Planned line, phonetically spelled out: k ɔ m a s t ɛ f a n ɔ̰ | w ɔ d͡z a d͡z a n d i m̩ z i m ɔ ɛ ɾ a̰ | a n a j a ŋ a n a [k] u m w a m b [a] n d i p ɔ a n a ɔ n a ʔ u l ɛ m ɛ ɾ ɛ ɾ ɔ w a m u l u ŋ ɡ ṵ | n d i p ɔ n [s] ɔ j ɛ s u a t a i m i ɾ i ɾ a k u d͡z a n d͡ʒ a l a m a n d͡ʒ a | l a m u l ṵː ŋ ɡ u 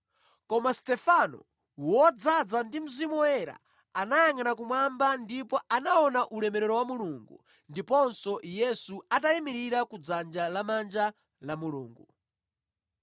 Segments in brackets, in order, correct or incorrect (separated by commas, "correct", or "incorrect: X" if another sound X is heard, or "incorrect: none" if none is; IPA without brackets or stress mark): correct, correct, correct